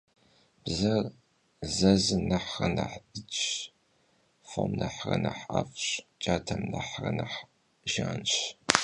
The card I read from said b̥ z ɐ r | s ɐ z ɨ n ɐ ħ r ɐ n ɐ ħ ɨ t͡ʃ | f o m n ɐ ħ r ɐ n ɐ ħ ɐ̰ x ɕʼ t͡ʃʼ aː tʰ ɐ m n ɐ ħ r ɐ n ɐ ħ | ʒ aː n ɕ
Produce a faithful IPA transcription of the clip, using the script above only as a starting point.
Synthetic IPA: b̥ z ɐ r | z ɐ z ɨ n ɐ ħ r ɐ n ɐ ħ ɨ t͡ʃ | f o m n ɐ ħ r ɐ n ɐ ħ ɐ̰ f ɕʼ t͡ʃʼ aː tʰ ɐ m n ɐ ħ r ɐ n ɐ ħ | ʒ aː n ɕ